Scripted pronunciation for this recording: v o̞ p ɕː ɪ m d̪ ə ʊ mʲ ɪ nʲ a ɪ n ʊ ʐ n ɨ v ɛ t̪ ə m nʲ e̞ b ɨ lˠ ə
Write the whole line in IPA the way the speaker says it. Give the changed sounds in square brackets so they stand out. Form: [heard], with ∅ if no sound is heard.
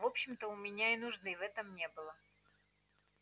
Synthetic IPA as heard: v o̞ p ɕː ɪ m [t̪] ə ʊ mʲ ɪ nʲ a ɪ n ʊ ʐ n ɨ v ɛ t̪ ə m nʲ e̞ b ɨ lˠ ə